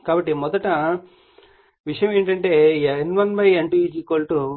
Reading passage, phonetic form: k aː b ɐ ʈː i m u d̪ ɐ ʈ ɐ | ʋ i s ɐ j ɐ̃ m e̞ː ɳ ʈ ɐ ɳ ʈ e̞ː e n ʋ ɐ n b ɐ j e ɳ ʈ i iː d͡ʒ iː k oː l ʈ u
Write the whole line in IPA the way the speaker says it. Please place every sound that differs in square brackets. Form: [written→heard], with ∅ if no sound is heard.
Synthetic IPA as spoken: k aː b ɐ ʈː i m [u→ɔ] d̪ ɐ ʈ ɐ | ʋ i [s→ʂ] ɐ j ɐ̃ m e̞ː ɳ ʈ ɐ ɳ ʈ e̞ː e n ʋ ɐ n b ɐ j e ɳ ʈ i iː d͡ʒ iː k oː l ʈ u